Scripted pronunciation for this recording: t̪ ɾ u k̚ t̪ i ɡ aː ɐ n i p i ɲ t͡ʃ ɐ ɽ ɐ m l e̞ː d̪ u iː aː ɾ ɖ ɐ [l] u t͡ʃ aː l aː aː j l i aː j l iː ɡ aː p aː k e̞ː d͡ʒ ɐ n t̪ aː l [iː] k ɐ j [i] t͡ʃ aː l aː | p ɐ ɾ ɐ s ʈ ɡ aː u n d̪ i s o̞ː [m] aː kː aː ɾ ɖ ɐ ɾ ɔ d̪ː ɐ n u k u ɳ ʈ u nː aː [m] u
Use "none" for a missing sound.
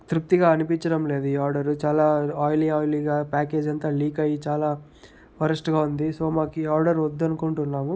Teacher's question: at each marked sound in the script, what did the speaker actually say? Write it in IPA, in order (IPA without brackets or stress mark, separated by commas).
ɾ, iː, i, m, m